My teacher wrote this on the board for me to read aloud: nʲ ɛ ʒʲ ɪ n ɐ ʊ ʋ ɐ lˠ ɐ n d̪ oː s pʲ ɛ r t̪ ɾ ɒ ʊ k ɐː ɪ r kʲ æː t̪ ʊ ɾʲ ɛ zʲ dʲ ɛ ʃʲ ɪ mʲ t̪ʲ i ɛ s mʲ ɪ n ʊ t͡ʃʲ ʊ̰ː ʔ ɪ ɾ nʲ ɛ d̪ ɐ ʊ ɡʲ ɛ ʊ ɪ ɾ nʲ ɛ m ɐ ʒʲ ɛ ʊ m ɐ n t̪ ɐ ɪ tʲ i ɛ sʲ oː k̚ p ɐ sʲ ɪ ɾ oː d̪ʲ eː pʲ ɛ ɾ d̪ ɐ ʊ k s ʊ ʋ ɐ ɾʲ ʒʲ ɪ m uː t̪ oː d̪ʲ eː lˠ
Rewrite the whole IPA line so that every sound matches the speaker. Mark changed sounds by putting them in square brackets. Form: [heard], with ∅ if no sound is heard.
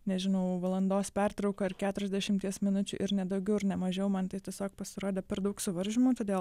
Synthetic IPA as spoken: nʲ ɛ ʒʲ ɪ n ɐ ʊ ʋ ɐ lˠ ɐ n d̪ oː s pʲ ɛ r t̪ ɾ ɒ ʊ k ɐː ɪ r kʲ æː t̪ ʊ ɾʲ ɛ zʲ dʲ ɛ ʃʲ ɪ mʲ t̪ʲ i ɛ s mʲ ɪ n ʊ t͡ʃʲ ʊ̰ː ʔ ɪ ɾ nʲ ɛ d̪ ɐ ʊ ɡʲ ɛ ʊ ɪ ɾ nʲ ɛ m ɐ ʒʲ ɛ ʊ m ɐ n t̪ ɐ ɪ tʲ i ɛ sʲ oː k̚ p ɐ sʲ ɪ ɾ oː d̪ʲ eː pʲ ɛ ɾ d̪ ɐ ʊ k s ʊ ʋ ɐ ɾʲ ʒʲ ɪ m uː t̪ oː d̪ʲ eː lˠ